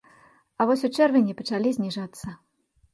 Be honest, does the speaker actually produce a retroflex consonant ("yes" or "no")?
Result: yes